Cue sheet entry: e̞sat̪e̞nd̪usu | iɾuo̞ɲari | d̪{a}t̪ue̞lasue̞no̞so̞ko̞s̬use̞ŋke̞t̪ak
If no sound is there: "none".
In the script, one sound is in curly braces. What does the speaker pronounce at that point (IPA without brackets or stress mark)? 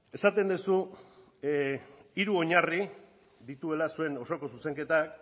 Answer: i